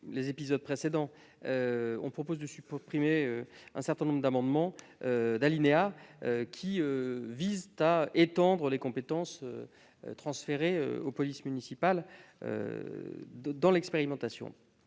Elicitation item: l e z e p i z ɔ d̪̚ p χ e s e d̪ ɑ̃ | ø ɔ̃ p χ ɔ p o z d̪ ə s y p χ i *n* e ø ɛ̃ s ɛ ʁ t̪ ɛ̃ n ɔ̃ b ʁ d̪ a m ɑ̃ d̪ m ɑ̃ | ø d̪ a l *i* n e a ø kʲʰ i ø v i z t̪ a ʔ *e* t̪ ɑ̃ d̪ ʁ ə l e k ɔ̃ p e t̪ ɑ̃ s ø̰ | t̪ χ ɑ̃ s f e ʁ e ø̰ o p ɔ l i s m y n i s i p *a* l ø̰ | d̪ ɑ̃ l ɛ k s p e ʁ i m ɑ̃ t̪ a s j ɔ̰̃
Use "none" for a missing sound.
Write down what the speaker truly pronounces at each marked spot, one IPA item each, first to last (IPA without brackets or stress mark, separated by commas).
m, i, e, a